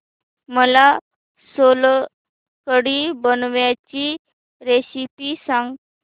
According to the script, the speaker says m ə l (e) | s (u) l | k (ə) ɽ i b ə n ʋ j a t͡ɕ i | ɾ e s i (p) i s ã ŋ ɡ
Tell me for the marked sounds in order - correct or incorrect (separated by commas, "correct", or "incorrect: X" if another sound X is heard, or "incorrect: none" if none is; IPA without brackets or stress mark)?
incorrect: a, incorrect: o, correct, correct